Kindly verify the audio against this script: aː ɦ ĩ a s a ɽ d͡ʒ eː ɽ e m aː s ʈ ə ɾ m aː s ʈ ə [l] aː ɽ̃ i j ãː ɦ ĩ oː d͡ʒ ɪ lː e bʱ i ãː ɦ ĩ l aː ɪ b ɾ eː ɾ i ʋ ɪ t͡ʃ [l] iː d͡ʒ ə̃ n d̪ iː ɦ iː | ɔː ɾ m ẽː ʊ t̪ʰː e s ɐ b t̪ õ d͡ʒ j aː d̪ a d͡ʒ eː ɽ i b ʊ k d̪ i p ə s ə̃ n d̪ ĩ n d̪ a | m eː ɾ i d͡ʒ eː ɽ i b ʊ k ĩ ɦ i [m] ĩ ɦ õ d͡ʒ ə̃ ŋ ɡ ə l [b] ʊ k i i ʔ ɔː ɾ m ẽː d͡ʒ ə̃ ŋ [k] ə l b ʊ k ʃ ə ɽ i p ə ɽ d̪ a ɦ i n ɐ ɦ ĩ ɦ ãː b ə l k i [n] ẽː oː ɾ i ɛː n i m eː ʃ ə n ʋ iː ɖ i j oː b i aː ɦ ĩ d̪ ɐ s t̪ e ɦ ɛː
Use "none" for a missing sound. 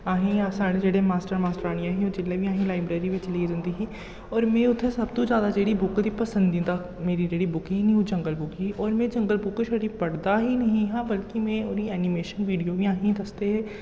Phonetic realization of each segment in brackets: ɾ, l, n, b, ɡ, m

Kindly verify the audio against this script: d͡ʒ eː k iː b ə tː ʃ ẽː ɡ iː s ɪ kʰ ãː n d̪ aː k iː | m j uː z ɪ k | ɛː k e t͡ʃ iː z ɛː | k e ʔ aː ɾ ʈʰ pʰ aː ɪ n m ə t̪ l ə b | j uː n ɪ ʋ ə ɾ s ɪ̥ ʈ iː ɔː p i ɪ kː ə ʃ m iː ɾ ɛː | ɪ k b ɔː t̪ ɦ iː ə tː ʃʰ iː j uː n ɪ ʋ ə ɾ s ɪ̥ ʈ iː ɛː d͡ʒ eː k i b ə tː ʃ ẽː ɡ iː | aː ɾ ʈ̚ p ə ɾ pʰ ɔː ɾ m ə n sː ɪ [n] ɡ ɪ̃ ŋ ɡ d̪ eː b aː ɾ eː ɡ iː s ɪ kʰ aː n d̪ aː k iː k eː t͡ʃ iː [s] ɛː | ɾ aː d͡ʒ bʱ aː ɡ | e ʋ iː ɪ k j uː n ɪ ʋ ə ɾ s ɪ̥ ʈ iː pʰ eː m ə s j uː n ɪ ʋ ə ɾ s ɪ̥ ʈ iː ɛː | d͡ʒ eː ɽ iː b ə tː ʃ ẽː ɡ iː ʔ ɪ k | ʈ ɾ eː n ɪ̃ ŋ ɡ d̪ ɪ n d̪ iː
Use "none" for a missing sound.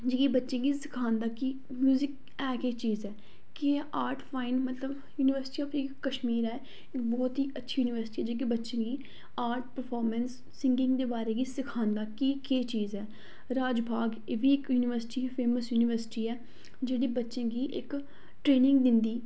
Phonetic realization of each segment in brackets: ŋ, z

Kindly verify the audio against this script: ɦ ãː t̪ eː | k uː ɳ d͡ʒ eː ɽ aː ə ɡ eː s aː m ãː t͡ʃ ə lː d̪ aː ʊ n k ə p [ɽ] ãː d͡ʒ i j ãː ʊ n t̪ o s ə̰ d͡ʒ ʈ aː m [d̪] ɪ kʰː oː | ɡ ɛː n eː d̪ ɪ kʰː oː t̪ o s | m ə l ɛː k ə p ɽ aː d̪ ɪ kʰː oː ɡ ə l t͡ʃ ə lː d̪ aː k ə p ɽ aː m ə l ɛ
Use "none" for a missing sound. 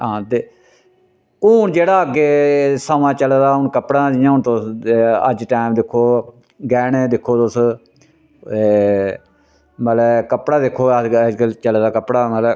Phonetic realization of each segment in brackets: ɽ, d̪

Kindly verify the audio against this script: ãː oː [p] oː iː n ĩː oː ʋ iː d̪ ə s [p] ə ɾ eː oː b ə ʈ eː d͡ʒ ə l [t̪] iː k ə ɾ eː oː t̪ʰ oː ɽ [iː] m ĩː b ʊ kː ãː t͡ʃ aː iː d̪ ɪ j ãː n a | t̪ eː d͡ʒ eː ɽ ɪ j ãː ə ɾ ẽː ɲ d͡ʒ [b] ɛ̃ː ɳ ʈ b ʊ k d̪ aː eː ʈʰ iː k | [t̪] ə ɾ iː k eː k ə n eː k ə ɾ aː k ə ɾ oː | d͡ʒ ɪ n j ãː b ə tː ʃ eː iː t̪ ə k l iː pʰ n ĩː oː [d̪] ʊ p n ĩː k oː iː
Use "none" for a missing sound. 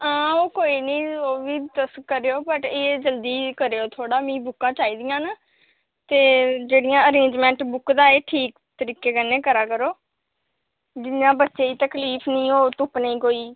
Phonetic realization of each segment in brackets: k, k, d̪, aː, m, t̪, t̪

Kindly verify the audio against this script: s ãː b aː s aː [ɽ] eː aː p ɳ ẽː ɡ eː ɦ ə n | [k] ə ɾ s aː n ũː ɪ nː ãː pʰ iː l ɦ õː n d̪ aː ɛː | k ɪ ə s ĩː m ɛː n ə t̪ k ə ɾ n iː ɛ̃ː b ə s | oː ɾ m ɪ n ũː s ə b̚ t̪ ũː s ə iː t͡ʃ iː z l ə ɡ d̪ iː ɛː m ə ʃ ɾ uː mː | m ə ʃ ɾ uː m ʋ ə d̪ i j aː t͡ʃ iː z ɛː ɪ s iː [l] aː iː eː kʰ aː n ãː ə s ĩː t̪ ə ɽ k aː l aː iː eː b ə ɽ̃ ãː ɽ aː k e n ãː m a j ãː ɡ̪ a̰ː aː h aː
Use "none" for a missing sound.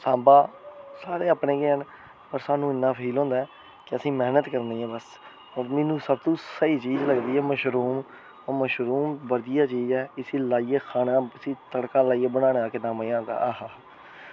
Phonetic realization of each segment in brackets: ɾ, p, l

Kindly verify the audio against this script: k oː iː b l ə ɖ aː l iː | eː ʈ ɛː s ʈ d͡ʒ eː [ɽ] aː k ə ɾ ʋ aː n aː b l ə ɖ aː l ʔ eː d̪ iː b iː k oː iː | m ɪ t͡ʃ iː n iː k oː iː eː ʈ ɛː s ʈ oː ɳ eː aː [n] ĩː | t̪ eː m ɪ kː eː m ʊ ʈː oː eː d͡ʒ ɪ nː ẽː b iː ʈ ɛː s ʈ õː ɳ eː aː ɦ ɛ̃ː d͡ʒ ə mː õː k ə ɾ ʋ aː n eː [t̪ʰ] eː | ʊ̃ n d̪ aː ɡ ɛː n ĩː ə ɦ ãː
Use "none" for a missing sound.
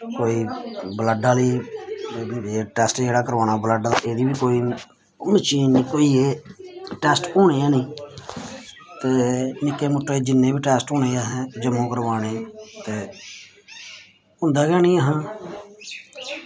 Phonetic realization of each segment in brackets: ɽ, n, t̪

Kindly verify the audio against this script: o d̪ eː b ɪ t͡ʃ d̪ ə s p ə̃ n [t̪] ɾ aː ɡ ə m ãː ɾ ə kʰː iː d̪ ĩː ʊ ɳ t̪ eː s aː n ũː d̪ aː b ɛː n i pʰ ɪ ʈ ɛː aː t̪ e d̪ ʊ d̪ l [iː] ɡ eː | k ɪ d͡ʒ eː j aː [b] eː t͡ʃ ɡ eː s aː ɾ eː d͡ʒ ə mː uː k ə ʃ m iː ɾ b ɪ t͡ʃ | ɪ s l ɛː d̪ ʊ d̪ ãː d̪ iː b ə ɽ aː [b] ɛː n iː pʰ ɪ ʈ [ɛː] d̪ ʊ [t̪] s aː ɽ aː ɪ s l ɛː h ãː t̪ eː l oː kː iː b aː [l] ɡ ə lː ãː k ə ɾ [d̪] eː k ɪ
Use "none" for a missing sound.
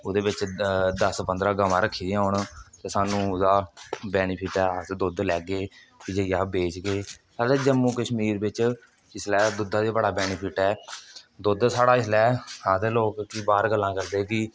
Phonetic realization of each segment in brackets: d̪, ɛː, b, b, ɛː, d̪, ɾ, d̪

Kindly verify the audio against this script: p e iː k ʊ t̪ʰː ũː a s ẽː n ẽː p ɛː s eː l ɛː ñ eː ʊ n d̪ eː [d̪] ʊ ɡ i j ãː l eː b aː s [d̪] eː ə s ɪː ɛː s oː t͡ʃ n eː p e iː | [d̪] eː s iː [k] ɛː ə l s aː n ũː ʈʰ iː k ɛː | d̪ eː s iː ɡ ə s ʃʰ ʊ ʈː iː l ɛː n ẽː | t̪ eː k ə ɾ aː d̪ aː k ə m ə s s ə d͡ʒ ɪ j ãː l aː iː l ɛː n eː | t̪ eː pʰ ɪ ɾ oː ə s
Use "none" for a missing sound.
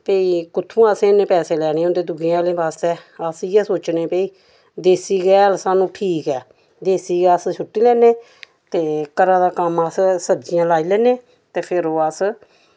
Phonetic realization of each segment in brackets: d̪, t̪, d̪, ɡ

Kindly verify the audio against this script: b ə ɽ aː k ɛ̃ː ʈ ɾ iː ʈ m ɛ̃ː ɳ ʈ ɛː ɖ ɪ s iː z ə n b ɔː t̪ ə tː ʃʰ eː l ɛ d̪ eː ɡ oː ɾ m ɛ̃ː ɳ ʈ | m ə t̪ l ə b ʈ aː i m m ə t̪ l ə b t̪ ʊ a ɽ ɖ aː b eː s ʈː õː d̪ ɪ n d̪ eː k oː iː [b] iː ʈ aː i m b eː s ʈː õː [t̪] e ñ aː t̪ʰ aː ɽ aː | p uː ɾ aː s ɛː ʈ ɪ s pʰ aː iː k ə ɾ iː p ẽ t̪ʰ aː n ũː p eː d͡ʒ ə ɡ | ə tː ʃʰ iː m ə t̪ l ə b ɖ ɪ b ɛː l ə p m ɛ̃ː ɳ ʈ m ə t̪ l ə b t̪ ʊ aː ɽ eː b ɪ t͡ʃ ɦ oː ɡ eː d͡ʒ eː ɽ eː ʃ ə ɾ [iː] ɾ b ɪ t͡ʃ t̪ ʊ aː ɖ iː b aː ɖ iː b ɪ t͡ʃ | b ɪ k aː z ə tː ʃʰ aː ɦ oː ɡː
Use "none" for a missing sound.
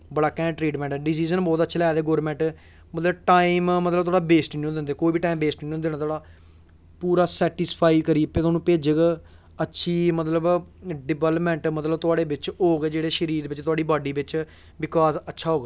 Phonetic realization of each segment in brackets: b, d̪, iː

